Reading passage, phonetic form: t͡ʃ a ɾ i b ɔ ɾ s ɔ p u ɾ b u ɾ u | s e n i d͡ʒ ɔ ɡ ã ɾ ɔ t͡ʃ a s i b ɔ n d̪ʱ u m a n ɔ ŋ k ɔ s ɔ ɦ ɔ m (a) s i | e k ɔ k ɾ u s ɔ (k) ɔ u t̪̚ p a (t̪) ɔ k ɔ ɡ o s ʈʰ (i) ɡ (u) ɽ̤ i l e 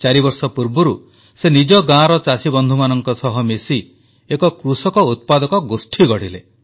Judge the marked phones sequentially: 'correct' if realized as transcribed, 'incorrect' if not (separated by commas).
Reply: incorrect, correct, incorrect, correct, incorrect